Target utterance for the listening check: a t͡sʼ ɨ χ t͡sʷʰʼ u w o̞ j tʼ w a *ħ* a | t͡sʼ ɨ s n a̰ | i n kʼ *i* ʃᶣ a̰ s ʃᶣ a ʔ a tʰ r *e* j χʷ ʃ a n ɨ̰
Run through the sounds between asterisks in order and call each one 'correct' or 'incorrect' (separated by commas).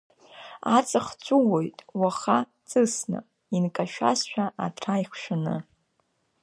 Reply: incorrect, incorrect, incorrect